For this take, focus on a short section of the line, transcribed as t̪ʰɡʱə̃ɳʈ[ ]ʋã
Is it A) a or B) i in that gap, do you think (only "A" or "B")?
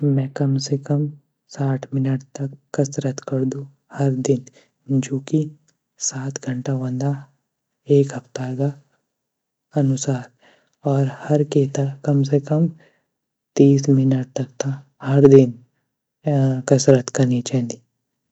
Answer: A